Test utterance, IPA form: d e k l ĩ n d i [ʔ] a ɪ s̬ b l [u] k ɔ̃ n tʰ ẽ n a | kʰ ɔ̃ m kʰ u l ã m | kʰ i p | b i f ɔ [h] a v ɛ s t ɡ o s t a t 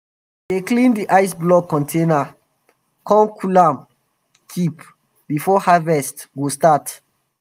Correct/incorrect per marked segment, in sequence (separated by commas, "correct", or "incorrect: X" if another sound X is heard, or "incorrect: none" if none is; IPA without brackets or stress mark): correct, incorrect: ɔ, correct